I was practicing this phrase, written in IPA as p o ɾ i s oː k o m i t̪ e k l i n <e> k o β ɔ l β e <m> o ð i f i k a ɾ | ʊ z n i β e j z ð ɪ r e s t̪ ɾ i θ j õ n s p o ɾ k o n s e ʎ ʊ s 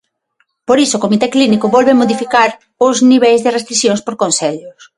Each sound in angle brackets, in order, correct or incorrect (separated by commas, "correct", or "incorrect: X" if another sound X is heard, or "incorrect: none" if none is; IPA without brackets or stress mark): incorrect: i, correct